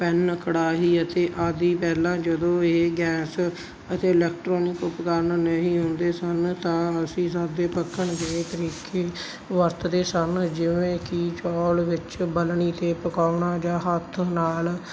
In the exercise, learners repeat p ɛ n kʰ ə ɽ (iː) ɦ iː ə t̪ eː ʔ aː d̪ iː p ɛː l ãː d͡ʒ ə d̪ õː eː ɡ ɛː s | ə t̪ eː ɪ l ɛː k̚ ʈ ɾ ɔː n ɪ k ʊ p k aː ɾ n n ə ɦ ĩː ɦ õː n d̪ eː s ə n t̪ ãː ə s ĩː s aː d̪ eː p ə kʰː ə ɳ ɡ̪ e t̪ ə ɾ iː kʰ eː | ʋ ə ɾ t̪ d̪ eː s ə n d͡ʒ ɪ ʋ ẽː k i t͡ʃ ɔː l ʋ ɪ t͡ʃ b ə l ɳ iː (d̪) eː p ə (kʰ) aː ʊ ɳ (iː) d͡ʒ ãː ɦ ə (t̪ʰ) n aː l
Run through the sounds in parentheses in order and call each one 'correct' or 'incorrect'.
incorrect: aː, incorrect: t̪, incorrect: k, incorrect: aː, correct

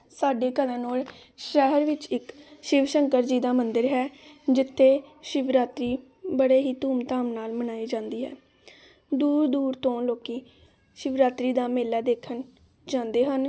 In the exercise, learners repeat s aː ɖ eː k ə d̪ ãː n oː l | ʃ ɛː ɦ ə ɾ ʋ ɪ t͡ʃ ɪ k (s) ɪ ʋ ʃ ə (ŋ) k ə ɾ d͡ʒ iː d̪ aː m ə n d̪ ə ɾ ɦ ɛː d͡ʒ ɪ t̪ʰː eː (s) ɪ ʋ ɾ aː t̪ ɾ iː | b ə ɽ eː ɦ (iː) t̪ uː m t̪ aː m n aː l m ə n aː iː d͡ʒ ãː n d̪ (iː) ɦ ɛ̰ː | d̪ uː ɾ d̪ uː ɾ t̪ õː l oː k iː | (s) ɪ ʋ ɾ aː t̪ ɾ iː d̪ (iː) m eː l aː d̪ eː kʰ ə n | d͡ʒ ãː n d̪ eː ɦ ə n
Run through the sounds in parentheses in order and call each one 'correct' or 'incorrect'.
incorrect: ʃ, correct, incorrect: ʃ, correct, correct, incorrect: ʃ, incorrect: aː

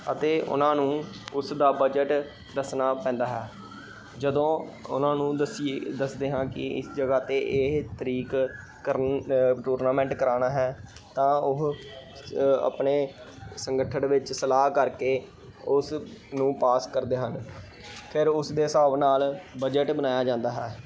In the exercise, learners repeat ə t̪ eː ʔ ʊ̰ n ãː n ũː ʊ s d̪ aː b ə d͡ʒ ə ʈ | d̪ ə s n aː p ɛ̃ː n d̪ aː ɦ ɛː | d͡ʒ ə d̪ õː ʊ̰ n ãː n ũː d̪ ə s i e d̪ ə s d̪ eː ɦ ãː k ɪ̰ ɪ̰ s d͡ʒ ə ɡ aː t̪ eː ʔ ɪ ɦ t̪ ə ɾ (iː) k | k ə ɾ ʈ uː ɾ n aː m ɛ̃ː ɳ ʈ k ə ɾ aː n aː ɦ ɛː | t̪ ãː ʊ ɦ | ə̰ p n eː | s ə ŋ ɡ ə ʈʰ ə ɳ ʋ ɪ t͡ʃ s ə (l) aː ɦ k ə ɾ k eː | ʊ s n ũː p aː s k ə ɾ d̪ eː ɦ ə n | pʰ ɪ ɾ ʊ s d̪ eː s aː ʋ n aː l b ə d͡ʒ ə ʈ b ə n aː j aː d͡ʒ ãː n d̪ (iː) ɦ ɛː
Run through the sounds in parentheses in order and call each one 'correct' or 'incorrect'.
correct, correct, incorrect: aː

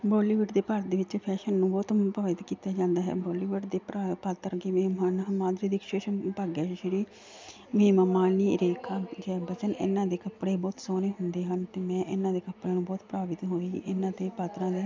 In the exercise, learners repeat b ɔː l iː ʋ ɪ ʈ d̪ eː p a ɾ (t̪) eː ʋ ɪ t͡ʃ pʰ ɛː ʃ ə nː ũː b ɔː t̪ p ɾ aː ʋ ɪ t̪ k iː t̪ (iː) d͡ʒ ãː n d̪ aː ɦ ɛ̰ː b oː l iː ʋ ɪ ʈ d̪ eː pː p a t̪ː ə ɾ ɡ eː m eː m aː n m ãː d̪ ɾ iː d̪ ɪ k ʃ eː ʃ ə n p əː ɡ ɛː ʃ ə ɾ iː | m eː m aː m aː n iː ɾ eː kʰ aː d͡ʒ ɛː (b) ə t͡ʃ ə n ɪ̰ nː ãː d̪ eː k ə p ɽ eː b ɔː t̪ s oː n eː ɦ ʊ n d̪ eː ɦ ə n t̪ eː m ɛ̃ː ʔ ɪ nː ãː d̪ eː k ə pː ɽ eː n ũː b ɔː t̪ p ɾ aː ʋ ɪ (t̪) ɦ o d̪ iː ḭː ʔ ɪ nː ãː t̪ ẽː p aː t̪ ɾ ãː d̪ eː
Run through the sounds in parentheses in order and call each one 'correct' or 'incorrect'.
incorrect: d̪, incorrect: aː, correct, correct

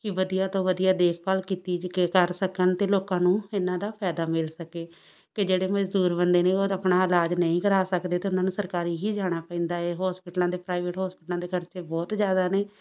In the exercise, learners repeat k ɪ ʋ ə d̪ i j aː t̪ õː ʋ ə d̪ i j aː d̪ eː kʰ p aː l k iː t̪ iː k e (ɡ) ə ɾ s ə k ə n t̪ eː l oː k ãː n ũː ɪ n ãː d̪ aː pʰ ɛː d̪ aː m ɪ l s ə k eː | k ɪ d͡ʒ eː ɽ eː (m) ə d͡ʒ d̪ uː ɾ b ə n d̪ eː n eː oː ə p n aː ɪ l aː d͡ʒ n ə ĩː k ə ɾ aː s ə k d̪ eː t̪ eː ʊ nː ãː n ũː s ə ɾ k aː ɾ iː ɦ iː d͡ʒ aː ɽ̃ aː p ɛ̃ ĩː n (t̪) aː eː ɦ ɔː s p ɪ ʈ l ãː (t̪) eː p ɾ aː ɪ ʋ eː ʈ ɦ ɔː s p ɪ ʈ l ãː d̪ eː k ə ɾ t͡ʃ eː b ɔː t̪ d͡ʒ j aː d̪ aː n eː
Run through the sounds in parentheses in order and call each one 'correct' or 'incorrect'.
incorrect: k, correct, incorrect: d̪, incorrect: d̪

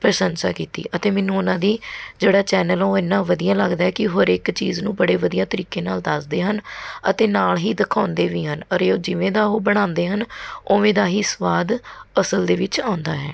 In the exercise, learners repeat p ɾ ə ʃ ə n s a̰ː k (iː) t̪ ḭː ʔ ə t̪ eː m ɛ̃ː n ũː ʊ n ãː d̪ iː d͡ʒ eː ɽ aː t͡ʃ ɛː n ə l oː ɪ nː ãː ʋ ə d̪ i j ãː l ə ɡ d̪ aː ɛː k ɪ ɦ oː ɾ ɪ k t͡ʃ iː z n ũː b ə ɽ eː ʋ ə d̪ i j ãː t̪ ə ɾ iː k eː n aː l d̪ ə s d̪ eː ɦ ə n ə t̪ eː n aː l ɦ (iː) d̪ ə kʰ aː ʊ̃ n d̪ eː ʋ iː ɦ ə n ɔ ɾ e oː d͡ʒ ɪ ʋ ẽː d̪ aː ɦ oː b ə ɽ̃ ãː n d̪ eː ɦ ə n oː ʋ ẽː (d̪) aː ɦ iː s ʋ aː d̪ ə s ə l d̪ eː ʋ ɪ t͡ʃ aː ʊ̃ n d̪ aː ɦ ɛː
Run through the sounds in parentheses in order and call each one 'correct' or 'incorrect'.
correct, correct, correct

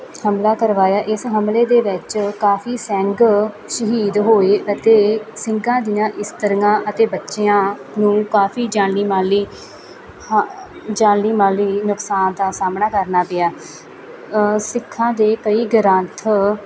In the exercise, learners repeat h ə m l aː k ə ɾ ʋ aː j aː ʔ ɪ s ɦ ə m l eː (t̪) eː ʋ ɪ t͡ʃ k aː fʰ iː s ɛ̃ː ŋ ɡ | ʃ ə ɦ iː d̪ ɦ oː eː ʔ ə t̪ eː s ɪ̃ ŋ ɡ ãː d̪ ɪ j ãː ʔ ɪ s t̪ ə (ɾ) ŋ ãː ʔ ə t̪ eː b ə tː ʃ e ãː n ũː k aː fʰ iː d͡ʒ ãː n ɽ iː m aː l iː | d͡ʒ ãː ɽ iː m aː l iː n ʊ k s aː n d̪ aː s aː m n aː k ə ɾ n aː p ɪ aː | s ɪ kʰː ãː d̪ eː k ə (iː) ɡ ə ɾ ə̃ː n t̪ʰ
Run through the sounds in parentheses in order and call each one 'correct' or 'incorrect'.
incorrect: d̪, correct, correct

